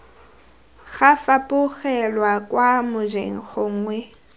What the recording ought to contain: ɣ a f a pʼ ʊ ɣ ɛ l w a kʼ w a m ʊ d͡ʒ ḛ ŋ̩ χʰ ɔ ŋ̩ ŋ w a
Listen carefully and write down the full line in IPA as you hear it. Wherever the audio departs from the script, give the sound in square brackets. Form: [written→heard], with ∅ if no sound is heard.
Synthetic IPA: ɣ a f a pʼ ʊ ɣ ɛ l w a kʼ w a m ʊ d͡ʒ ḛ ŋ̩ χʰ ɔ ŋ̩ ŋ w [a→ɛ]